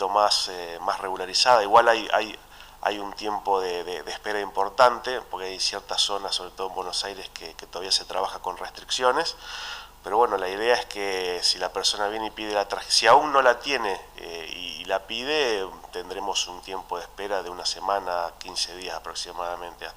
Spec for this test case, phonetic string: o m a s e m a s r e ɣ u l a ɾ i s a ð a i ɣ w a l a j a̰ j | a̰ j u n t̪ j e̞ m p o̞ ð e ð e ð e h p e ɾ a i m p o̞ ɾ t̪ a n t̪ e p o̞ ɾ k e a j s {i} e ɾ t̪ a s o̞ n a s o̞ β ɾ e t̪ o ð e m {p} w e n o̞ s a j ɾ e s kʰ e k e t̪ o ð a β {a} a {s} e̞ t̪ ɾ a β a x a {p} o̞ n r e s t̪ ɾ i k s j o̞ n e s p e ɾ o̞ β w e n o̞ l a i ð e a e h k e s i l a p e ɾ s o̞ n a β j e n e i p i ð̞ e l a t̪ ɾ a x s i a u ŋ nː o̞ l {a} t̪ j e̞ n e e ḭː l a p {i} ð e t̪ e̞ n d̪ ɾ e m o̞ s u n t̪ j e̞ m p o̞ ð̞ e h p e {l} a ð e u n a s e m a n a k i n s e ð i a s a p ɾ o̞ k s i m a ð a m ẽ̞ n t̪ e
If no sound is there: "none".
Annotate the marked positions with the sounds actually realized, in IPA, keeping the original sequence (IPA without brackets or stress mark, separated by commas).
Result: j, b, i, s, k, a, i, ɾ